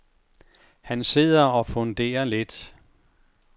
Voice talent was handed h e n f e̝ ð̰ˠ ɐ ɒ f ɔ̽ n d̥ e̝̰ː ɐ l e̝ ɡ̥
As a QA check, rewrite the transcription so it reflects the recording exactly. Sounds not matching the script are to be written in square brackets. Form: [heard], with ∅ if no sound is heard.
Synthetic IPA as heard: h [æ] n [s] e̝ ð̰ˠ ɐ ɒ f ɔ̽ n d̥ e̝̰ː ɐ l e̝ [d̥]

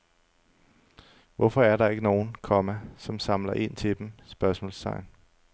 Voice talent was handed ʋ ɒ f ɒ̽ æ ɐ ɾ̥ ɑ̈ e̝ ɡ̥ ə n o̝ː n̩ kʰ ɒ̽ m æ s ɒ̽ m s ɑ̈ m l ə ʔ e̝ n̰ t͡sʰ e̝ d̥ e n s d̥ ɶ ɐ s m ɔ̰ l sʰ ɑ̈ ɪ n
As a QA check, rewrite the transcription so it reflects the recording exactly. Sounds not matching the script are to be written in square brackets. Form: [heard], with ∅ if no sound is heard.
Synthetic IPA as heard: ʋ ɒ f ɒ̽ æ ɐ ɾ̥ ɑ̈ e̝ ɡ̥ ə n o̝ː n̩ kʰ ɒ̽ m æ s ɒ̽ m s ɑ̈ m l [ɐ] ʔ e̝ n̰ t͡sʰ e̝ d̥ e [m] s [b̥] ɶ ɐ s m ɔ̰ l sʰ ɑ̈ ɪ n

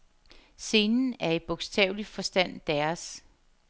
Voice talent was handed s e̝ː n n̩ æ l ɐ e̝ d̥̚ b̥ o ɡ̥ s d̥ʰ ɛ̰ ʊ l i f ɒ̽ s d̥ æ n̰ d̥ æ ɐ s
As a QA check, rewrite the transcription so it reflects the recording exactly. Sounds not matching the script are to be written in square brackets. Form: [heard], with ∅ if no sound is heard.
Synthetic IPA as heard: s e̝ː n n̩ æ [∅] ɐ e̝ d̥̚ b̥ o ɡ̥ s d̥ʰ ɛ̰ ʊ l i f ɒ̽ s d̥ æ n̰ d̥ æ ɐ s

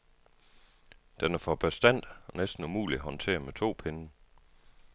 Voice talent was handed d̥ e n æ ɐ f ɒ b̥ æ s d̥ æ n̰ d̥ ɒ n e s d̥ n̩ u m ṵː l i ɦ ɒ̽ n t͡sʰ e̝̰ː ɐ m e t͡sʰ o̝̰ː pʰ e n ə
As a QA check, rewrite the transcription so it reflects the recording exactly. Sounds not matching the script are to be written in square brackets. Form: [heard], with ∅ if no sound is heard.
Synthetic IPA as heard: d̥ e n æ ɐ f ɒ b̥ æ s d̥ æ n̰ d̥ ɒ n e s d̥ n̩ u m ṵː l i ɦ ɒ̽ n t͡sʰ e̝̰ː ɐ m e t͡sʰ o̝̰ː pʰ e n ə

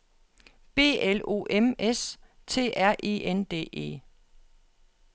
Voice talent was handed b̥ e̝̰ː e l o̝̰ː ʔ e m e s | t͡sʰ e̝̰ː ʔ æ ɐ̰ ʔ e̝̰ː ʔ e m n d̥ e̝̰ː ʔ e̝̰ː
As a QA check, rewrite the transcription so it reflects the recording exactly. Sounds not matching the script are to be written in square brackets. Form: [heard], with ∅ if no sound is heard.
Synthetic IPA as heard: b̥ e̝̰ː e l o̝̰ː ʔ e m e s | t͡sʰ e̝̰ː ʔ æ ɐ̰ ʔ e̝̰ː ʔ e [∅] n d̥ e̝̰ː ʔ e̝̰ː

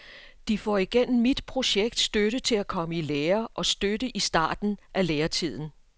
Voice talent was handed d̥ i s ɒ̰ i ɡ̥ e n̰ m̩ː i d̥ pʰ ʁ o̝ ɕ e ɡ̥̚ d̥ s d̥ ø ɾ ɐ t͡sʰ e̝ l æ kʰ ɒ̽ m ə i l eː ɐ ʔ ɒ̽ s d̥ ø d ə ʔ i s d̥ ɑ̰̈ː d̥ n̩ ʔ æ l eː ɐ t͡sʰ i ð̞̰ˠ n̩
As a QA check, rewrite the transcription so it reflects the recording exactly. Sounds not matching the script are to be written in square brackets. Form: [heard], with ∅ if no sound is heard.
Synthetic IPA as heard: d̥ i [f] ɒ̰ i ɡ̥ e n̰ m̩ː i d̥ pʰ ʁ o̝ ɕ e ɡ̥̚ d̥ s d̥ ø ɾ [ə] t͡sʰ e̝ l æ kʰ ɒ̽ m ə i l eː ɐ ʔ ɒ̽ s d̥ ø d ə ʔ i s d̥ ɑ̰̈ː d̥ n̩ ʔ æ l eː ɐ t͡sʰ i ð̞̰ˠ n̩

